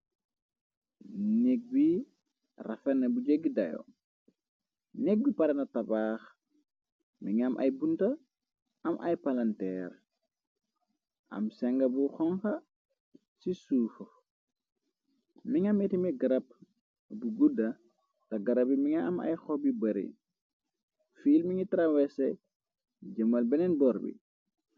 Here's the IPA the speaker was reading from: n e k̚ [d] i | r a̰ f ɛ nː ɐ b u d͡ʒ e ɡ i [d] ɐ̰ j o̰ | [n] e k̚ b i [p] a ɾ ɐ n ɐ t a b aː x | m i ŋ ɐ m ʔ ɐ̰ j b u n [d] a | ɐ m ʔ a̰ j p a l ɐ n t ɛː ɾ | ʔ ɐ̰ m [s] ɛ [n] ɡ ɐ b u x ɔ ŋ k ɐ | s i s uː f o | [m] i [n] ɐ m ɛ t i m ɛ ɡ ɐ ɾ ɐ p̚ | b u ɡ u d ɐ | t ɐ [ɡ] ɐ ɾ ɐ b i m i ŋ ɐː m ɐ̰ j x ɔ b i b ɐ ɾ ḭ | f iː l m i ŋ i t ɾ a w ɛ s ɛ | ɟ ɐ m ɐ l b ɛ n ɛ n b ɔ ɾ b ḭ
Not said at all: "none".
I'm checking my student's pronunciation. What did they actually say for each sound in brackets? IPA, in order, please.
b, d, n, p, t, s, ŋ, m, ŋ, ɡ

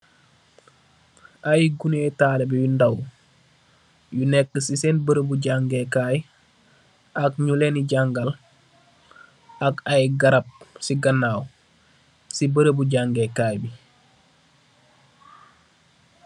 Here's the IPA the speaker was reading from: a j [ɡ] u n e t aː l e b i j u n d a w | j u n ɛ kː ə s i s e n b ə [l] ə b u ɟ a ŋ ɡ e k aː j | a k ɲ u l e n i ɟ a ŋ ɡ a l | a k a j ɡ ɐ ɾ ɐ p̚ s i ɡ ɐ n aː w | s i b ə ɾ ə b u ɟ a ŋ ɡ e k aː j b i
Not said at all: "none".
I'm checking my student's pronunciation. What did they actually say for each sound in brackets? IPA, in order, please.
ɡ, ɾ

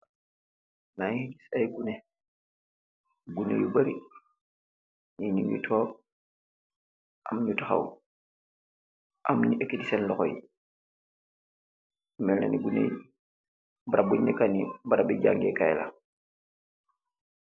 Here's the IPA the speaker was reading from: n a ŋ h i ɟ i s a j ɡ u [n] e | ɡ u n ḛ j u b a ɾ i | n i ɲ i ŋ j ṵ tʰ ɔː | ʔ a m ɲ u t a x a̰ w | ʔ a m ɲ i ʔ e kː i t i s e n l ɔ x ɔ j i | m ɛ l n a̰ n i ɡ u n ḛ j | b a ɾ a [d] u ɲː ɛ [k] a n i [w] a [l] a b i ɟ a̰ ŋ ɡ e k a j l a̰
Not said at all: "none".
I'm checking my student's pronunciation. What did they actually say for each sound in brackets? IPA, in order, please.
n, b, k, b, ɾ

